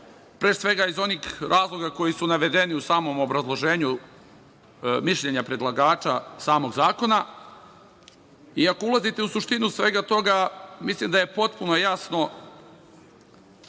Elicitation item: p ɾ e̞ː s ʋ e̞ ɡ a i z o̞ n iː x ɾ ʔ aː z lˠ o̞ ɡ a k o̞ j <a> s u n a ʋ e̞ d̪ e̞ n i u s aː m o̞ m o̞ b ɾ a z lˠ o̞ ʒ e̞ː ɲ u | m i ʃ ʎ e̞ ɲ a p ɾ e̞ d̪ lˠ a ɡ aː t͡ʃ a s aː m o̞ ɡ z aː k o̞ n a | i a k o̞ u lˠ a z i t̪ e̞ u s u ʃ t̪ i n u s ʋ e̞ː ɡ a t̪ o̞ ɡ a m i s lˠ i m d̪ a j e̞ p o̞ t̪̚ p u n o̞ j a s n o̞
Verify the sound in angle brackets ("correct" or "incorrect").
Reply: incorrect